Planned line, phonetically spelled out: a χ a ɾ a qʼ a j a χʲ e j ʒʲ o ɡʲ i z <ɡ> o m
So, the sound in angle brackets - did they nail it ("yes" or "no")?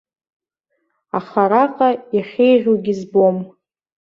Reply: no